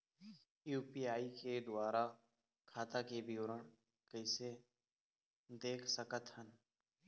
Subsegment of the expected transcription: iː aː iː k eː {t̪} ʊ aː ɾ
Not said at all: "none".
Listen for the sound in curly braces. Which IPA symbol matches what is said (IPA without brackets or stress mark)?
d̪